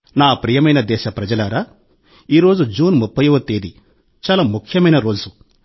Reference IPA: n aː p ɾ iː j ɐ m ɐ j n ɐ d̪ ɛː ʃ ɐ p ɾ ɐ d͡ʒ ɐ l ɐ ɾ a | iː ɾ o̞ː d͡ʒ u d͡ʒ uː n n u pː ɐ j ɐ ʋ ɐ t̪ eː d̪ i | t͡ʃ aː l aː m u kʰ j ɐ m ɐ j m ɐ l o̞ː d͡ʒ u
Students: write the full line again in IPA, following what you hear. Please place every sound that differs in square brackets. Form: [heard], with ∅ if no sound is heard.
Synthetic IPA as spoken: n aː p ɾ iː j ɐ m ɐ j n ɐ d̪ ɛː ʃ ɐ p ɾ ɐ d͡ʒ ɐ l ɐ ɾ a | iː ɾ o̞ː d͡ʒ u d͡ʒ uː n [m] u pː ɐ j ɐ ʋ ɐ t̪ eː d̪ i | t͡ʃ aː l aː m u kʰ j ɐ m ɐ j [n] ɐ [ɾ] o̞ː d͡ʒ u